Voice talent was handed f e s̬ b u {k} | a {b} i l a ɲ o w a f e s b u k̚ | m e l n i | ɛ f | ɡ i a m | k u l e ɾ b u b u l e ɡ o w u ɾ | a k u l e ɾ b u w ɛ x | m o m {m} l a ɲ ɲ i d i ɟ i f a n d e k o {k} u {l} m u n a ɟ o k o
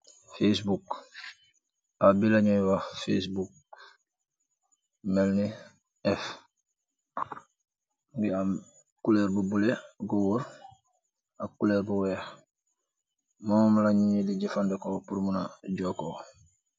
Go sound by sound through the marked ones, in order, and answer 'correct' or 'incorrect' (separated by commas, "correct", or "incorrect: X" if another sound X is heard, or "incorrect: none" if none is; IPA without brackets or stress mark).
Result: correct, correct, correct, incorrect: p, incorrect: ɾ